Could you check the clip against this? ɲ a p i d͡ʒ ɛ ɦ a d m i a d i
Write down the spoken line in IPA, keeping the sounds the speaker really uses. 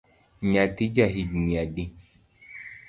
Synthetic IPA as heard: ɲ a t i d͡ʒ a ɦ i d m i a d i